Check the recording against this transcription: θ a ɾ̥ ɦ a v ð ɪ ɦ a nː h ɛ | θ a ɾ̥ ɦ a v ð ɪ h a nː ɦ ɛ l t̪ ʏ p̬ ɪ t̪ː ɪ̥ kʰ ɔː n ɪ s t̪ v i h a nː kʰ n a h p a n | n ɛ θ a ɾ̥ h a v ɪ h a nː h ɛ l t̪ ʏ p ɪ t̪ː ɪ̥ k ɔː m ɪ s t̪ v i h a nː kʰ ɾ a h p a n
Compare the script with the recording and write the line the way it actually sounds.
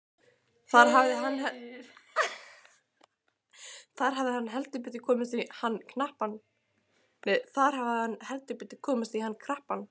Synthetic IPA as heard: θ a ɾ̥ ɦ a v ð ɪ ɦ a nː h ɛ | θ a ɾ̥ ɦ a v ð ɪ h a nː ɦ ɛ l t̪ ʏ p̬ ɪ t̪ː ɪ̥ kʰ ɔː m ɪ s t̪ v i h a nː kʰ n a h p a n | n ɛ θ a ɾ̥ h a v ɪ h a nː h ɛ l t̪ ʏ p ɪ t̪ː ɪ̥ kʰ ɔː m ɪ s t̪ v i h a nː kʰ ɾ a h p a n

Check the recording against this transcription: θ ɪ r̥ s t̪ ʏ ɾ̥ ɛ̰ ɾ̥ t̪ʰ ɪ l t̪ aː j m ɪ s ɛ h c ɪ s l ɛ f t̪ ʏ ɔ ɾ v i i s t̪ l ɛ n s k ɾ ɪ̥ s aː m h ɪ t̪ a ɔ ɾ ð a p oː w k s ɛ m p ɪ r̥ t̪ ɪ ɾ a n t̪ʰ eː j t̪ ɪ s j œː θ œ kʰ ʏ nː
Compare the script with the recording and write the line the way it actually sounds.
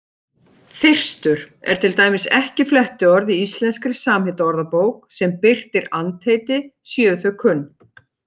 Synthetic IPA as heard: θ ɪ r̥ s t̪ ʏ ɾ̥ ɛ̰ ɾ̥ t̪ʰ ɪ l t̪ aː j m ɪ s ɛ h c ɪ f l ɛ h t̪ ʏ ɔ ɾ ð i i s t̪ l ɛ n s k ɾ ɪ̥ s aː m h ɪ t̪ a ɔ ɾ ð a p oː w k s ɛ m p ɪ r̥ t̪ ɪ ɾ a n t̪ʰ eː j t̪ ɪ s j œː θ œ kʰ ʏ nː

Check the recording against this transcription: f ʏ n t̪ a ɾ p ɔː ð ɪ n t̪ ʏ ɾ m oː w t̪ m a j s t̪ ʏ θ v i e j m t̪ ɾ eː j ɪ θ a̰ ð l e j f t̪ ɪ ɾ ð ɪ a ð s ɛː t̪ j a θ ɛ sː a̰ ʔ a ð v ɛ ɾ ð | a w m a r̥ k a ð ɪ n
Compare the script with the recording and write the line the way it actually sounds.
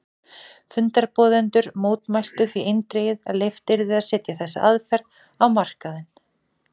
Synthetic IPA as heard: f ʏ n t̪ a ɾ p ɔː ð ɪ n t̪ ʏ ɾ m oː w t̪ m a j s t̪ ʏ θ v i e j n t̪ ɾ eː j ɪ ð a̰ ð l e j f t̪ ɪ ɾ ð ɪ a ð s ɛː t̪ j a θ ɛ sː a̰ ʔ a ð f ɛ ɾ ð | a w m a r̥ k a ð ɪ n

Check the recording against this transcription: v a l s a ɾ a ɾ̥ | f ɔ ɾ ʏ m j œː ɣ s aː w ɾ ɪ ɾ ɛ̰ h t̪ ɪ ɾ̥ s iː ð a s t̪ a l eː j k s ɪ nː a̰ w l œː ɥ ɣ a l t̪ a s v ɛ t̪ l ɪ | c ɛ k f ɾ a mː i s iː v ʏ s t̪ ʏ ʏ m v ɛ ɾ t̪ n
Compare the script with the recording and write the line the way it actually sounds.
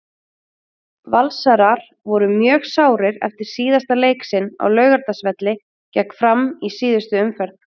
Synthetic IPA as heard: v a l s a ɾ a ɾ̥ | v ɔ ɾ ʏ m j œː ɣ s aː w ɾ ɪ ɾ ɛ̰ f t̪ ɪ ɾ̥ s iː ð a s t̪ a l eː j k s ɪ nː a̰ w l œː ɥ ɣ a ɾ t̪ a s v ɛ t̪ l ɪ | c ɛ k f ɾ a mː i s iː ð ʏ s t̪ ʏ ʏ m f ɛ ɾ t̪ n

